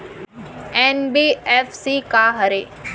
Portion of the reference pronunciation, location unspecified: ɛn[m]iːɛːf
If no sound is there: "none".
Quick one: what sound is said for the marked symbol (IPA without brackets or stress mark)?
b